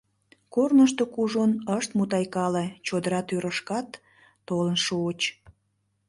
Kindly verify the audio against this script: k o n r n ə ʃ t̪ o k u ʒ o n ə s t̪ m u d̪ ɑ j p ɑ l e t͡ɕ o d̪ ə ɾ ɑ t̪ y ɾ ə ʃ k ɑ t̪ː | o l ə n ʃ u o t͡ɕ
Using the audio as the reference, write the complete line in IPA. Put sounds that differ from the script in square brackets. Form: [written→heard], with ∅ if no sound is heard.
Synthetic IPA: k o [n→∅] r n ə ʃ t̪ o k u ʒ o n ə [s→ʃ] t̪ m u [d̪→t̪] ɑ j [p→k] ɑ l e t͡ɕ o d̪ ə ɾ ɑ t̪ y ɾ ə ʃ k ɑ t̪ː | o l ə n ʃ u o t͡ɕ